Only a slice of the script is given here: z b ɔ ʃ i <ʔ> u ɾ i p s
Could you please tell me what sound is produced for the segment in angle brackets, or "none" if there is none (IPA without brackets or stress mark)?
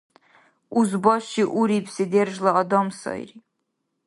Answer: ʔ